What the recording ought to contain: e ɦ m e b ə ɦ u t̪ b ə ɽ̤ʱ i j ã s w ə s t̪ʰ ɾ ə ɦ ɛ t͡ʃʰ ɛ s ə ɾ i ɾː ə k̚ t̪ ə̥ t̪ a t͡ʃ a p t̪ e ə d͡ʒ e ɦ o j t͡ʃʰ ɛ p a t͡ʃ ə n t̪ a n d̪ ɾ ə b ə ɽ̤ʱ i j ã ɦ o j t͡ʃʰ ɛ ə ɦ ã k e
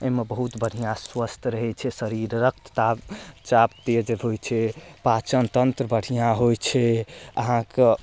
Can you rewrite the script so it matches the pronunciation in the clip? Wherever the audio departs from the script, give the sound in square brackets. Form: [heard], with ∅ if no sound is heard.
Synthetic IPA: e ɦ m e b ə ɦ u t̪ b ə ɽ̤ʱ i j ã s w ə s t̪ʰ ɾ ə ɦ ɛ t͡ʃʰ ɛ s ə ɾ i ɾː ə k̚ t̪ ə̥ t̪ a t͡ʃ a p t̪ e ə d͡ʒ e ɦ o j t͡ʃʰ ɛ p a t͡ʃ ə n t̪ [ə] n [t̪] ɾ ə b ə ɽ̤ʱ i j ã ɦ o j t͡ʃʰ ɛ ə ɦ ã k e